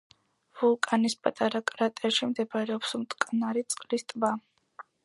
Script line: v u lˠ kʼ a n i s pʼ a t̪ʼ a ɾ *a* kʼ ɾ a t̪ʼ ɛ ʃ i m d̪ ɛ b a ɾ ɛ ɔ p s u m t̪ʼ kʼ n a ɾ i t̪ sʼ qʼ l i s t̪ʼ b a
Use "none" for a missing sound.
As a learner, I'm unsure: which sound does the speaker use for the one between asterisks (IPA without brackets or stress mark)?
a